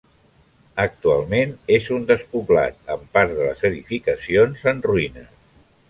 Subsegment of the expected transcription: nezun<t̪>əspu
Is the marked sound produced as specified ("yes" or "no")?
no